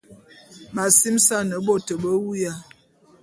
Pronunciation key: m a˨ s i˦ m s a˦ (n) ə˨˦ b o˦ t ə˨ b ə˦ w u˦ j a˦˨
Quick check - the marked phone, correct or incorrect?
correct